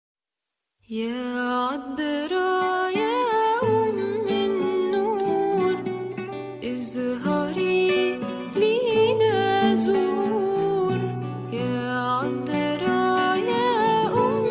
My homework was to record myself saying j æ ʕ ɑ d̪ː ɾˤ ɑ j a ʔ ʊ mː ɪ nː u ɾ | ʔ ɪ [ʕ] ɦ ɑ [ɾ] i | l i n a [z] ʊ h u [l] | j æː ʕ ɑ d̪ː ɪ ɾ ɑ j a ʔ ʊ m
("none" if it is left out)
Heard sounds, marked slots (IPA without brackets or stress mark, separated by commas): z, ɾ, z, ɾ